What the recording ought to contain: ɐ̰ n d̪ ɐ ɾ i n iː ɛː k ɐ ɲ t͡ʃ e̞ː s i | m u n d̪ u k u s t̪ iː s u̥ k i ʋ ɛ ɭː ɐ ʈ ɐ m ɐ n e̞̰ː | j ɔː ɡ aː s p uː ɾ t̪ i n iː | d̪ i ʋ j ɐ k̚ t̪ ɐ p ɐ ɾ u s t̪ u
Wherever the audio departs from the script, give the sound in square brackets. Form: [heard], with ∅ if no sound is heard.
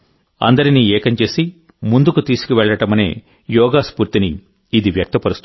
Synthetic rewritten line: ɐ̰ n d̪ ɐ ɾ i n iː ɛː k ɐ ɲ t͡ʃ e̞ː s i | m u n d̪ u k u [∅] t̪ iː s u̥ k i ʋ ɛ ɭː ɐ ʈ ɐ m ɐ n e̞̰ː | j ɔː ɡ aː s p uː ɾ t̪ i n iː | d̪ i ʋ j ɐ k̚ t̪ ɐ p ɐ ɾ u s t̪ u

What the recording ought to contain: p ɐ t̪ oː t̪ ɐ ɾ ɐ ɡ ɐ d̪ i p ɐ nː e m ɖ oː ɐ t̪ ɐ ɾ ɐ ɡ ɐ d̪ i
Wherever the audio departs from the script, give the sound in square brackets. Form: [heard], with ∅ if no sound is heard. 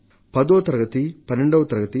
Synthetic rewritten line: p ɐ [d̪] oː t̪ ɐ ɾ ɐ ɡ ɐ [t̪] i p ɐ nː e [ɳ] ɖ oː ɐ t̪ ɐ ɾ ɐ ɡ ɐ [t̪] i

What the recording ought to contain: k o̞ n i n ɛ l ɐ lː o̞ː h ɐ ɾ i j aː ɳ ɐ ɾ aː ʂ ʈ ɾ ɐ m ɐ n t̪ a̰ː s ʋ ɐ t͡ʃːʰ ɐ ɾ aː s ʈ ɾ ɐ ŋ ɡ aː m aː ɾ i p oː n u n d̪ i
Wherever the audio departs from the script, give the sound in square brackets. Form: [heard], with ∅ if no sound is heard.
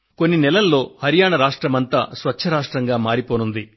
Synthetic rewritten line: k o̞ [nː] i n ɛ l ɐ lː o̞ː h ɐ ɾ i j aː ɳ ɐ ɾ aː ʂ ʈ ɾ ɐ m ɐ n t̪ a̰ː s ʋ ɐ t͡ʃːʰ ɐ ɾ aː [ʂ] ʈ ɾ ɐ ŋ ɡ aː m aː ɾ i p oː n u n d̪ i

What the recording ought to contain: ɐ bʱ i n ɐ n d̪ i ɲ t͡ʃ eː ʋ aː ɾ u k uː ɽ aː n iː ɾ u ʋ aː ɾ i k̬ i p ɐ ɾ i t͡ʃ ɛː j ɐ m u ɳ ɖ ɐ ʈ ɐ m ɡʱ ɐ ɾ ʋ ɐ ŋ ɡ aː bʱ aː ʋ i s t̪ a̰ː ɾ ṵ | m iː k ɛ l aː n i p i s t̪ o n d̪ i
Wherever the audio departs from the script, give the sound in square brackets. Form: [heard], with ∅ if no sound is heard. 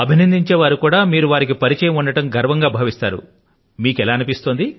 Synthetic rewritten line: ɐ bʱ i n ɐ n d̪ i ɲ t͡ʃ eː ʋ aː ɾ u k uː ɽ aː [m] iː ɾ u ʋ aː ɾ i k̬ i p ɐ ɾ i t͡ʃ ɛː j ɐ m u ɳ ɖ ɐ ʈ ɐ m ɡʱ ɐ ɾ ʋ ɐ ŋ ɡ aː bʱ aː ʋ i s t̪ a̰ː ɾ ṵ | m iː k ɛ l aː n i p i s t̪ o n d̪ i

